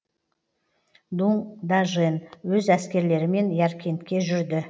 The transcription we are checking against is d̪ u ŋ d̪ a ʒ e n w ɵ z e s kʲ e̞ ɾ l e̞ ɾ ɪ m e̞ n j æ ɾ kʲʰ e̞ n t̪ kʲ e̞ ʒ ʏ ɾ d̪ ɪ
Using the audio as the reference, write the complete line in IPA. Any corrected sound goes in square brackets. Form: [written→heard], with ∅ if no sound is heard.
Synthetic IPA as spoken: d̪ u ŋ d̪ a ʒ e n w ɵ z [e→æ] s kʲ e̞ ɾ l e̞ ɾ ɪ m e̞ n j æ ɾ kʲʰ e̞ n t̪ kʲ e̞ ʒ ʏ ɾ d̪ ɪ

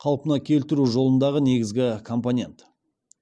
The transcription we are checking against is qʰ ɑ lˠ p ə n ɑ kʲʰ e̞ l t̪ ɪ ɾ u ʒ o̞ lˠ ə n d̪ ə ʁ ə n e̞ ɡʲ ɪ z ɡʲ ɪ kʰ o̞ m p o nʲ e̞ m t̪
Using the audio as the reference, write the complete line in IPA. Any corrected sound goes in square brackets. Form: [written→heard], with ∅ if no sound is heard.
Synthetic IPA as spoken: qʰ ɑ lˠ p ə n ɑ kʲʰ e̞ l t̪ ɪ ɾ u ʒ o̞ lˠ ə n d̪ [ə→ɑ] ʁ ə n e̞ ɡʲ ɪ z ɡʲ ɪ kʰ o̞ m p o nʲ e̞ [m→n] t̪

